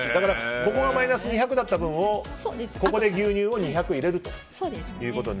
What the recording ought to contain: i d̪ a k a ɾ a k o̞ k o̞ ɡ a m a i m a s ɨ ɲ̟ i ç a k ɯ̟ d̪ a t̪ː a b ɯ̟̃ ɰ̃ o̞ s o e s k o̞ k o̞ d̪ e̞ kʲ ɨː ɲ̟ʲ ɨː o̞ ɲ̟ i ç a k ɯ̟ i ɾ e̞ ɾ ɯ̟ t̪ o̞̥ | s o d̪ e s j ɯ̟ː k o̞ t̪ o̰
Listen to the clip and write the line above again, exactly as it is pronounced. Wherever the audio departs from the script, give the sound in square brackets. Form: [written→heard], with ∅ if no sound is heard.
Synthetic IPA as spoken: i d̪ a k a ɾ a k o̞ k o̞ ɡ a m a i [m→n] a s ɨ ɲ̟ i ç a k ɯ̟ d̪ a t̪ː a b ɯ̟̃ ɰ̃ o̞ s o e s k o̞ k o̞ d̪ e̞ [kʲ→ɡʲ] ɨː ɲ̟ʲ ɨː o̞ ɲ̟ i ç a k ɯ̟ i ɾ e̞ ɾ ɯ̟ t̪ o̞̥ | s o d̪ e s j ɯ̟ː k o̞ t̪ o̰